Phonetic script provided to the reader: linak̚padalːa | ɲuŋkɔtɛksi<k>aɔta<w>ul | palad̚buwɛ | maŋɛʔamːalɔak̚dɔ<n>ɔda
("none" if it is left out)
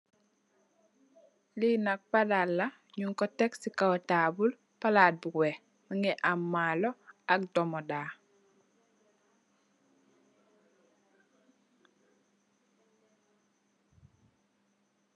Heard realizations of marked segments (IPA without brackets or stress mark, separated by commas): k, b, m